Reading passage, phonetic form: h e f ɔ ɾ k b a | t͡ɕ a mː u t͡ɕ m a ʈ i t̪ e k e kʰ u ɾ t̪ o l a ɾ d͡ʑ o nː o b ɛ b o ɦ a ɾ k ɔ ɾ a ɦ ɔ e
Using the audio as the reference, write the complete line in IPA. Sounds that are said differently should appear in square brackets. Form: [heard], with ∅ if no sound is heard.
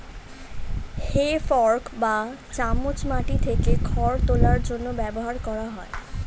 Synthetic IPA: h e f ɔ ɾ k b a | t͡ɕ a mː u t͡ɕ m a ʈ i [t̪ʰ] e k e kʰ [ɔ] ɾ t̪ o l a ɾ d͡ʑ o nː o b ɛ b o ɦ a ɾ k ɔ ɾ a ɦ ɔ e